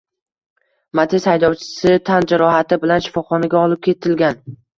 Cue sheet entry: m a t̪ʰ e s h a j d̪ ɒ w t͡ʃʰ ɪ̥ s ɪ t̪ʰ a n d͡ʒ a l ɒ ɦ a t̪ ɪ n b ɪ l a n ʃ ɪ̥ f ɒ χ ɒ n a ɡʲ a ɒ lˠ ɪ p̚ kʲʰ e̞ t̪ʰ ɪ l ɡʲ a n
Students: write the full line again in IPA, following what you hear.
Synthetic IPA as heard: m a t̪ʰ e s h a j d̪ ɒ w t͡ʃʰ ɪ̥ s ɪ t̪ʰ a n d͡ʒ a ɾ ɒ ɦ a t̪ ɪ b ɪ l a n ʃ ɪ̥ f ɒ χ ɒ n a ɡʲ a ɒ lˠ ɪ p̚ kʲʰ e̞ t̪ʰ ɪ l ɡʲ a n